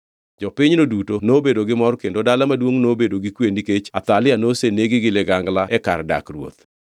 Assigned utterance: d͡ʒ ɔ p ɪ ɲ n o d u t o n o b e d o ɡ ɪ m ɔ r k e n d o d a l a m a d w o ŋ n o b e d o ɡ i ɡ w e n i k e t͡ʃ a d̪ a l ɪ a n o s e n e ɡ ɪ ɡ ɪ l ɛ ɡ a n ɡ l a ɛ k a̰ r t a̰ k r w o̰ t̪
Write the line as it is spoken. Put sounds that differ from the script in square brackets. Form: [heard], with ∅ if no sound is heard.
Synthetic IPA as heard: d͡ʒ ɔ p ɪ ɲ n o d u t o n o b e d o ɡ ɪ m ɔ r k e n d o d a l a m a d w o ŋ n o b e d o ɡ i [k] w e n i k e t͡ʃ a [t̪] a l ɪ a n o s e n e ɡ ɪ ɡ ɪ l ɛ ɡ a [ŋ] ɡ l a ɛ k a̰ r [d] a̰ k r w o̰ t̪